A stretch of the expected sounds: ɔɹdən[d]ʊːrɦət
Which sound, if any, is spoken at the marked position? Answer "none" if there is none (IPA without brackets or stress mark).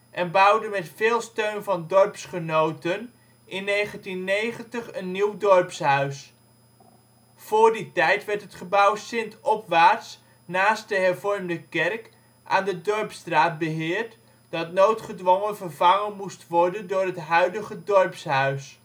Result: d